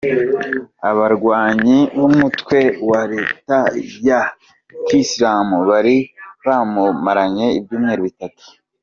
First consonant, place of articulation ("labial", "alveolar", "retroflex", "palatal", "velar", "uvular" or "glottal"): labial